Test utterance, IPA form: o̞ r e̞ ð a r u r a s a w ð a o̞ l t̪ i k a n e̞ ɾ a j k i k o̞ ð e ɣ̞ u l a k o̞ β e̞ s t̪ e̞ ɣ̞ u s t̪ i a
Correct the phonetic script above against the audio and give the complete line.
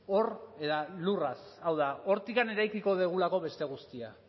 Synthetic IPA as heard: o̞ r e̞ ð a l u r a s a w ð a o̞ ɾ t̪ i k a n e̞ ɾ a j k i k o̞ ð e ɣ̞ u l a k o̞ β e̞ s t̪ e̞ ɣ̞ u s t̪ i a